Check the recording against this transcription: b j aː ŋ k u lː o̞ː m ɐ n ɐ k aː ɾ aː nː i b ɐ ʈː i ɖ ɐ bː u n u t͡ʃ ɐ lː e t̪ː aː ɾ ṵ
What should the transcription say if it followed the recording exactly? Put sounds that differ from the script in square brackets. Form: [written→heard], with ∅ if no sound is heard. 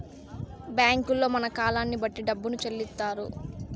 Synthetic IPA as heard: b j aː ŋ k u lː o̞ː m ɐ n ɐ k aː [ɾ→l] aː nː i b ɐ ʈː i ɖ ɐ bː u n u t͡ʃ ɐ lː [e→i] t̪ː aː ɾ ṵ

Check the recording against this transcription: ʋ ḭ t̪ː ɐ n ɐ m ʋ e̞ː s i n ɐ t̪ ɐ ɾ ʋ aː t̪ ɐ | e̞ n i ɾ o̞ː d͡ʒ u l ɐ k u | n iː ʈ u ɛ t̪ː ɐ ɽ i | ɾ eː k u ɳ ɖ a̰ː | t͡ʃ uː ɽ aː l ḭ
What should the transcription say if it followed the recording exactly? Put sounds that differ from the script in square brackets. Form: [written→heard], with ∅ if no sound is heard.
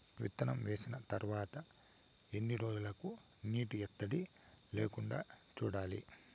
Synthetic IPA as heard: ʋ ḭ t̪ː ɐ n ɐ m ʋ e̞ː s i n ɐ t̪ ɐ ɾ ʋ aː t̪ ɐ | e̞ [n→nː] i ɾ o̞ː d͡ʒ u l ɐ k u | n iː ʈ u ɛ t̪ː ɐ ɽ i | [ɾ→l] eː k u ɳ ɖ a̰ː | t͡ʃ uː ɽ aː l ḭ

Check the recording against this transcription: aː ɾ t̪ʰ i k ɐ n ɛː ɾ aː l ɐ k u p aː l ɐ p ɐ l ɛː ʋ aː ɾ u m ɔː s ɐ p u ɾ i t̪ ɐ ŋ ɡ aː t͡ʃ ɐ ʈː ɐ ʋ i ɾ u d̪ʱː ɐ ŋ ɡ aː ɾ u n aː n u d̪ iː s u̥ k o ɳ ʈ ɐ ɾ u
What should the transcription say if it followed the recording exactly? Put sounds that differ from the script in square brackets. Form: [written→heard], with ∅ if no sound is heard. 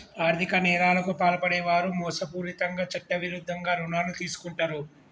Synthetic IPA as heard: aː ɾ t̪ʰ i k ɐ n ɛː ɾ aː l ɐ k u p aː l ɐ p ɐ [l→ɽ] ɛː ʋ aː ɾ u m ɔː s ɐ p [u→uː] ɾ i t̪ ɐ ŋ ɡ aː t͡ʃ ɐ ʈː ɐ ʋ i ɾ u d̪ʱː ɐ ŋ ɡ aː ɾ u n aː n u [d̪→t̪] iː s u̥ k [o→u] ɳ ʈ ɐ ɾ u

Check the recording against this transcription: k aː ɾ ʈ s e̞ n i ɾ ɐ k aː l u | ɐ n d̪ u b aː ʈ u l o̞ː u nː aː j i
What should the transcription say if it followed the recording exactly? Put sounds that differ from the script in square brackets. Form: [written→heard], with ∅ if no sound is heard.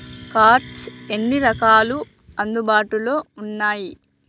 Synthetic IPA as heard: k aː ɾ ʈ s e̞ [n→nː] i ɾ ɐ k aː l u | ɐ n d̪ u b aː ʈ u l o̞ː u nː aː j i

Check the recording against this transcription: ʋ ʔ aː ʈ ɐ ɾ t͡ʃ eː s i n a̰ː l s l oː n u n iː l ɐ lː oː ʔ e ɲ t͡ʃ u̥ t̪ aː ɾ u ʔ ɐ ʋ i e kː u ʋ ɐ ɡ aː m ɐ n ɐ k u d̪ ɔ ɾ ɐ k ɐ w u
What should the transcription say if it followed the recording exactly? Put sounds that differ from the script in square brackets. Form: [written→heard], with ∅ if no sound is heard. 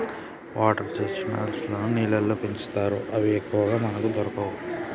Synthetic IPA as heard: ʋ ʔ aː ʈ ɐ ɾ t͡ʃ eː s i n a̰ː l s l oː n u n iː l ɐ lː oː [ʔ→p] e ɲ t͡ʃ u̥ t̪ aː ɾ u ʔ ɐ ʋ i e kː u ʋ ɐ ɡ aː m ɐ n ɐ k u d̪ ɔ ɾ ɐ k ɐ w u

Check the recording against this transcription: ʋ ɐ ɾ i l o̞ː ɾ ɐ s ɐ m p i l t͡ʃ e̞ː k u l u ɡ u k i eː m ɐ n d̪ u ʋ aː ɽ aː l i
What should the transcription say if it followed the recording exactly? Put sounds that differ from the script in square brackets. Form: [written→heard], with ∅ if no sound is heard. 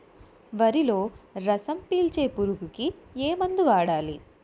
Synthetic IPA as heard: ʋ ɐ ɾ i l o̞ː ɾ ɐ s ɐ m p [i→iː] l t͡ʃ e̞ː [k→p] u [l→ɾ] u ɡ u k i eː m ɐ n d̪ u ʋ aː ɽ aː l i

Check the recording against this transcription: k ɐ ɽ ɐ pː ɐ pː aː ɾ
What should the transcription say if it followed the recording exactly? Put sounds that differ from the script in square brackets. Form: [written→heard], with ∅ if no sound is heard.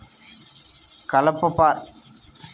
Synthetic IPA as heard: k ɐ [ɽ→l] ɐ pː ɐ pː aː ɾ

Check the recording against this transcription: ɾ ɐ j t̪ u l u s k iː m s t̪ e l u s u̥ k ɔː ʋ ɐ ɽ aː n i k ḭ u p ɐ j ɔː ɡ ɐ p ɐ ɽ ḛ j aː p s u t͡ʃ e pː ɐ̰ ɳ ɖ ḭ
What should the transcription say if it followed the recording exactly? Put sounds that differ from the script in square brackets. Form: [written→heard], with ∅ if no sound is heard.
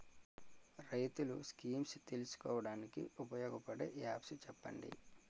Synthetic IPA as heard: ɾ ɐ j t̪ u l u s k iː m s t̪ e l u s u̥ k ɔː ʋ ɐ ɽ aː n i k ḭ u p ɐ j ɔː ɡ ɐ p ɐ ɽ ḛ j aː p s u t͡ʃ [e→ɛ] pː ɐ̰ ɳ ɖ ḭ

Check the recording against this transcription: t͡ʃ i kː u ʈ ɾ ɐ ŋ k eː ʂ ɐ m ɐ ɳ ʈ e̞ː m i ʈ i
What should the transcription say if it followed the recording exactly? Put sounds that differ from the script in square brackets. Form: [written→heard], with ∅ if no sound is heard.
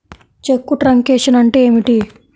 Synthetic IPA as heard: t͡ʃ [i→e] kː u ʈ ɾ ɐ ŋ k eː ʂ ɐ [m→n] ɐ ɳ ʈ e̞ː m i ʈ i

